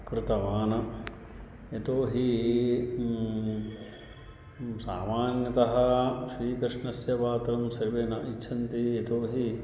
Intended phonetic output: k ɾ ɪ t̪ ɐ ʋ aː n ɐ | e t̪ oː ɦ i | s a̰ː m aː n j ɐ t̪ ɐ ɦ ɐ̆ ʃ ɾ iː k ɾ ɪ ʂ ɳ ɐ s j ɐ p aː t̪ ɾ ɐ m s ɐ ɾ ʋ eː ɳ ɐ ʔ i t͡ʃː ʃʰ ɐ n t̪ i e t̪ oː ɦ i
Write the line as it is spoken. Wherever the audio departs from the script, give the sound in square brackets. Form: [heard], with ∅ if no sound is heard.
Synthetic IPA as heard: k ɾ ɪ t̪ ɐ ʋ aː n ɐ | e t̪ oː ɦ i | s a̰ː m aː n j ɐ t̪ ɐ ɦ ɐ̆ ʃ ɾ iː k ɾ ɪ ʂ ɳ ɐ s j ɐ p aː t̪ ɾ ɐ m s ɐ ɾ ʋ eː [n] ɐ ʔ i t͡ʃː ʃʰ ɐ n t̪ i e t̪ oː ɦ i